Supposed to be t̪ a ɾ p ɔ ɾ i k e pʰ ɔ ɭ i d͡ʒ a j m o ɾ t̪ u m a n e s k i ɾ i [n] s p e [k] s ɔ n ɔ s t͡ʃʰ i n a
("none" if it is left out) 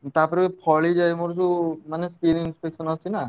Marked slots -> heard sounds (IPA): n, k

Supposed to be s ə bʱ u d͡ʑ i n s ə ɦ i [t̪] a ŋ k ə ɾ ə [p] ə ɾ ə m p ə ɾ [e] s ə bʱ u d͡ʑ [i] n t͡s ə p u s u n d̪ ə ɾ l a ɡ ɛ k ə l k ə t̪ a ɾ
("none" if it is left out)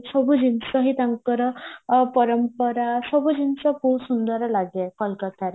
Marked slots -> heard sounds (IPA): t̪, p, a, i

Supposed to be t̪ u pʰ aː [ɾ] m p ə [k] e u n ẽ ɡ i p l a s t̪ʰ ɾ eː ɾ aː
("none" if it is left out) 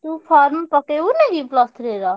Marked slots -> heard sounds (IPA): ɾ, k

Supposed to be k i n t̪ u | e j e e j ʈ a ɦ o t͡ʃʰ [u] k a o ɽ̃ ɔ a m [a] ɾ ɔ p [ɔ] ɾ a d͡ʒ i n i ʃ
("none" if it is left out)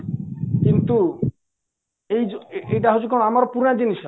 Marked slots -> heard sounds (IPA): u, a, u

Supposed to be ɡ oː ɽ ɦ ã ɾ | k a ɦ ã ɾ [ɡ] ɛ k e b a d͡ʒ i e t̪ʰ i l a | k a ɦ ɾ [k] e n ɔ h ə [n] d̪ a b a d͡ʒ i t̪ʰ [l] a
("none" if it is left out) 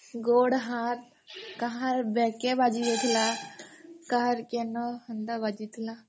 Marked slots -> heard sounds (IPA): b, k, n, l

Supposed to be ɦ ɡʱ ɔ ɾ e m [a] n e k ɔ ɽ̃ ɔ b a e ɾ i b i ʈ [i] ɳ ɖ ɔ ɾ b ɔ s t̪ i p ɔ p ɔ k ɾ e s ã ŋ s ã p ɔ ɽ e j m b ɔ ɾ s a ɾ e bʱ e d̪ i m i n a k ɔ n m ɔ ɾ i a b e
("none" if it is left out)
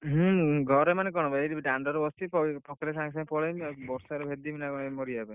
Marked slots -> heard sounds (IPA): a, a

